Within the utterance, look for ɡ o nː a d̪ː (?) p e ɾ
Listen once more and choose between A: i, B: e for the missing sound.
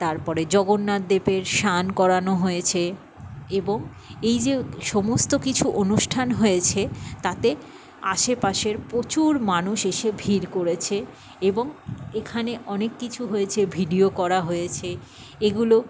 B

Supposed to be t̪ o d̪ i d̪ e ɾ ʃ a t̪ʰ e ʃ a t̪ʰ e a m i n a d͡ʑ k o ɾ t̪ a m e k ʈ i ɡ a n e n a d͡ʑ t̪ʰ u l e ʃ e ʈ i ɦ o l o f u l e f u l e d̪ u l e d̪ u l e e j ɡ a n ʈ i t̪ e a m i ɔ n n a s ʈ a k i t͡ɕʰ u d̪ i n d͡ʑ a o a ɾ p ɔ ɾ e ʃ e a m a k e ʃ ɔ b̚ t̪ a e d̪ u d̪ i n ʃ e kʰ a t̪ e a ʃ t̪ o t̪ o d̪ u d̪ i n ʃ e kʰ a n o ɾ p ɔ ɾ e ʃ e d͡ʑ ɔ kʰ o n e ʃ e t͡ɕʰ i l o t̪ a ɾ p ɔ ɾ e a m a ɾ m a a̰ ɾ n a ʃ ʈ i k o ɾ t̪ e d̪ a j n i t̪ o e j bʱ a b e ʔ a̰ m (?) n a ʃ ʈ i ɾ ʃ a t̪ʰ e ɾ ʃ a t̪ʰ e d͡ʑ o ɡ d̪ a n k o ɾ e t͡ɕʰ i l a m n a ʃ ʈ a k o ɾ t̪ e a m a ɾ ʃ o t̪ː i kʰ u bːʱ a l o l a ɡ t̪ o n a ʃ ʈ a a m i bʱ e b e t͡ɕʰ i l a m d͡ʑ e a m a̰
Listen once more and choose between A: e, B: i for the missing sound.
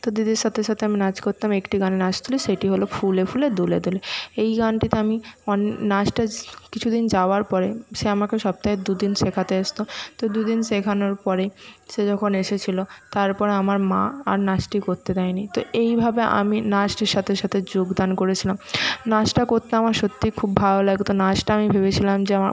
B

